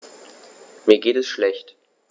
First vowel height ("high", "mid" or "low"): high